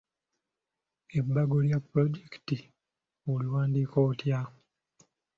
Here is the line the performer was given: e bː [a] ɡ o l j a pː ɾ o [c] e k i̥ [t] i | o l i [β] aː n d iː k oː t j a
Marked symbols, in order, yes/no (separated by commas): yes, no, yes, no